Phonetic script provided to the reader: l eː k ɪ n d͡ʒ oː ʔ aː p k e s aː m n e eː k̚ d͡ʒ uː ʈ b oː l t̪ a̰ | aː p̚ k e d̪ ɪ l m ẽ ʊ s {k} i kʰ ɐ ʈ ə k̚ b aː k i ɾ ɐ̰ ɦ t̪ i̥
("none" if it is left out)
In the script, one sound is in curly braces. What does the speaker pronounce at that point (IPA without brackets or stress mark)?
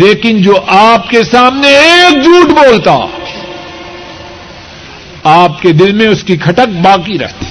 k